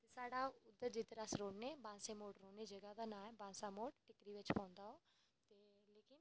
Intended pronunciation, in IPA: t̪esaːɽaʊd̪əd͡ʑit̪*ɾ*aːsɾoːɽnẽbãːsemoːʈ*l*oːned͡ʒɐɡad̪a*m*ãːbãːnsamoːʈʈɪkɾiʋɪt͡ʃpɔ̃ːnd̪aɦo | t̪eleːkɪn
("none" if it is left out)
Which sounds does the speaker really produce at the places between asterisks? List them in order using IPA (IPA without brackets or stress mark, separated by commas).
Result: ɾ, ɾ, n